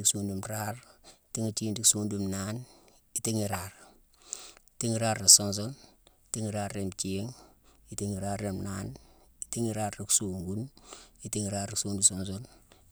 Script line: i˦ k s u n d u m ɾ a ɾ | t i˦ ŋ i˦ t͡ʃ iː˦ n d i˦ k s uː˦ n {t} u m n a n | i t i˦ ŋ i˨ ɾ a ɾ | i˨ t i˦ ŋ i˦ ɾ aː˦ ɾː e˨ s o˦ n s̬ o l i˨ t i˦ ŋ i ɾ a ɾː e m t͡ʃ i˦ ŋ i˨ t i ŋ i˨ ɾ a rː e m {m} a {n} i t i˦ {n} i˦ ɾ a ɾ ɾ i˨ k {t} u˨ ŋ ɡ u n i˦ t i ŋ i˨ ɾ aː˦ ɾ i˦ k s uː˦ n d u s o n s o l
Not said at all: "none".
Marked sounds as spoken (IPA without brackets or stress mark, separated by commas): d, n, n, ŋ, s